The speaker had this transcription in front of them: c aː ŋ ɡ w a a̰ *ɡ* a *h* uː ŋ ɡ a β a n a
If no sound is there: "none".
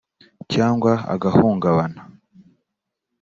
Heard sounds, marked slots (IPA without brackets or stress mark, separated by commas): ɡ, h